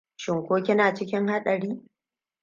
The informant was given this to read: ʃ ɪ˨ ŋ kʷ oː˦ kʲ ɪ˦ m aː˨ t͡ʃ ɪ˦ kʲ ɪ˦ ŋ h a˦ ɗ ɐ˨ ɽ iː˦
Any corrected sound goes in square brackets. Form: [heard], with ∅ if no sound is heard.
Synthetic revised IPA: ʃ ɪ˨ ŋ kʷ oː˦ kʲ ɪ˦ [n] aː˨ t͡ʃ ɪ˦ kʲ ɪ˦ ŋ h a˦ ɗ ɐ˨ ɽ iː˦